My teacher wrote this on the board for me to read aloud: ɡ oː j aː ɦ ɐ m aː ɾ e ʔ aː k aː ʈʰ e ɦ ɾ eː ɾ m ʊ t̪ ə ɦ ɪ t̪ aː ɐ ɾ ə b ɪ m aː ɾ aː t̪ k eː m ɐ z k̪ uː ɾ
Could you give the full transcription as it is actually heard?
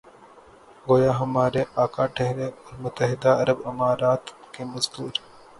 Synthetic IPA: ɡ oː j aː ɦ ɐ m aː ɾ e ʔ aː k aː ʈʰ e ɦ ɾ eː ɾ m ʊ t̪ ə ɦ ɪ d̪ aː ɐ ɾ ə b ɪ m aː ɾ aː t̪ k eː m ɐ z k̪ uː ɾ